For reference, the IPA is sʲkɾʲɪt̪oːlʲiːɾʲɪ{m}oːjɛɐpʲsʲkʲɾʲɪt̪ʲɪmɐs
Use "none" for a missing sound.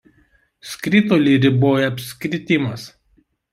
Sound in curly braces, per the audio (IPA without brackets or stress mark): b